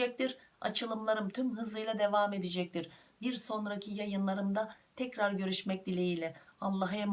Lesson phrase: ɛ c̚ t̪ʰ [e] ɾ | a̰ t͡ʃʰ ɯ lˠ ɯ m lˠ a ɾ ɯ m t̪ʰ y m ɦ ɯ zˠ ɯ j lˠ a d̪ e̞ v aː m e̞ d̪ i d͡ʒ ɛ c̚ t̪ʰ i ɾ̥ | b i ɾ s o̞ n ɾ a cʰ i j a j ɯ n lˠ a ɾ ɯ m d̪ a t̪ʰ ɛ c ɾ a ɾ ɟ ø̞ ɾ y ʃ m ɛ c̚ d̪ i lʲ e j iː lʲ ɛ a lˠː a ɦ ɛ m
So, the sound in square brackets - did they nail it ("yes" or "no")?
no